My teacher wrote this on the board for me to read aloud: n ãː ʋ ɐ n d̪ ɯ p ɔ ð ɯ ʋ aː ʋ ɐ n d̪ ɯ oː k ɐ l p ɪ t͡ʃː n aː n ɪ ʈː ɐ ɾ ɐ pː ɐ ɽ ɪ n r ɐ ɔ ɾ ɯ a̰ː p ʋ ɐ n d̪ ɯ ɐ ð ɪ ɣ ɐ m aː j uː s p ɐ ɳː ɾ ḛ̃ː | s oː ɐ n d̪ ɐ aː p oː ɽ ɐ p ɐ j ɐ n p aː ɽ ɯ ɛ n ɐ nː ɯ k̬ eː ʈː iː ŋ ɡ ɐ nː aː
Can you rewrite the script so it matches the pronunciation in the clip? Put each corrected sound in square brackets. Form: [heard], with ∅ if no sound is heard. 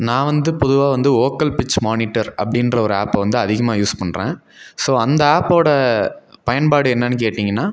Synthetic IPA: n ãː ʋ ɐ n d̪ ɯ p ɔ ð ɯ ʋ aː ʋ ɐ n d̪ ɯ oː k ɐ l p ɪ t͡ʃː [m] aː n ɪ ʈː ɐ ɾ ɐ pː ɐ ɽ ɪ n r ɐ ɔ ɾ ɯ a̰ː p ʋ ɐ n d̪ ɯ ɐ ð ɪ ɣ ɐ m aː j uː s p ɐ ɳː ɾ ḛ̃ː | s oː ɐ n d̪ ɐ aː p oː ɽ ɐ p ɐ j ɐ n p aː ɽ ɯ ɛ [nː] ɐ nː ɯ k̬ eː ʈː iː ŋ ɡ ɐ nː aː